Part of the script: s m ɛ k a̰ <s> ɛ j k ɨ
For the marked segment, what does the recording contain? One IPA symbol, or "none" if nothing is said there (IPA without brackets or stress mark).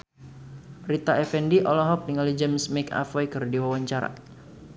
f